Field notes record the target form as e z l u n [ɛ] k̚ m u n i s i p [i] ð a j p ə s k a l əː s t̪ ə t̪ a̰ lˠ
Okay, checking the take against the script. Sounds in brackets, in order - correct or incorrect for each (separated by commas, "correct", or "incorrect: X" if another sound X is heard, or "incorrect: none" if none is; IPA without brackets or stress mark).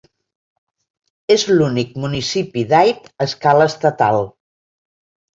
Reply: incorrect: i, correct